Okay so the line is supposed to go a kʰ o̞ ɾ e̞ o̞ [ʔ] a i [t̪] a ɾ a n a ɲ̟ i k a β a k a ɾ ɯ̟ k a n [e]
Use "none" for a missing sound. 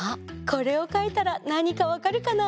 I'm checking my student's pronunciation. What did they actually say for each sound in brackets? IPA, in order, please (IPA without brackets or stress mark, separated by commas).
k, t̪, a